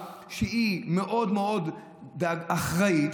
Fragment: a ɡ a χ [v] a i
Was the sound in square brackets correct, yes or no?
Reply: no